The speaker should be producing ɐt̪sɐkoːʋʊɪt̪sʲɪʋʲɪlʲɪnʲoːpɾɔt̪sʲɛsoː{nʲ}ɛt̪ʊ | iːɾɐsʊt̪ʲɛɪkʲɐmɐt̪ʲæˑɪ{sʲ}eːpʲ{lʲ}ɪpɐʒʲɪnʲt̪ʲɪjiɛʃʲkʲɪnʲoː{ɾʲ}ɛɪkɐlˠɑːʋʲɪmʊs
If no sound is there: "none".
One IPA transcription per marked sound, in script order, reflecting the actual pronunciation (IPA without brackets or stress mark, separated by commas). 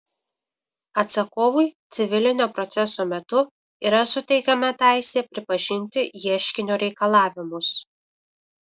mʲ, sʲ, ɾʲ, ɾʲ